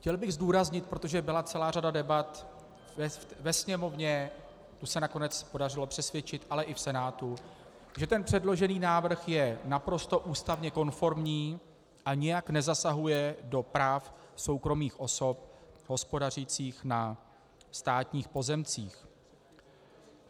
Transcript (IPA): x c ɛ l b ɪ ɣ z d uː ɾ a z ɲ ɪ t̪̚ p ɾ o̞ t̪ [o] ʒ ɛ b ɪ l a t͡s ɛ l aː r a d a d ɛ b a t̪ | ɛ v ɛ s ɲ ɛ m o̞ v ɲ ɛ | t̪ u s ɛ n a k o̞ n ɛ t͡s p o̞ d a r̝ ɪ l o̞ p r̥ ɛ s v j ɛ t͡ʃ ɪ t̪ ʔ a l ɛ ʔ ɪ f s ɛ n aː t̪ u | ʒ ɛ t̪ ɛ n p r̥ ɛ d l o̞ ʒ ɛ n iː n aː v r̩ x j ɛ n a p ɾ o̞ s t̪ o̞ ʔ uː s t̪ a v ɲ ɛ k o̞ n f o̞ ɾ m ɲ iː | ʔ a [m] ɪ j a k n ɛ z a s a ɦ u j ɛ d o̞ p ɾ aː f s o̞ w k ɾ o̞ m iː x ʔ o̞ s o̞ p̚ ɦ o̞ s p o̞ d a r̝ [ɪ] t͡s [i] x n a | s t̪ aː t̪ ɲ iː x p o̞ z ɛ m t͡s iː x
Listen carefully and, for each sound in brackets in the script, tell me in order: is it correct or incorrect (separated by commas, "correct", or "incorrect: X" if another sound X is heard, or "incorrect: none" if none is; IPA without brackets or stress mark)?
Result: correct, incorrect: ɲ, incorrect: i, incorrect: iː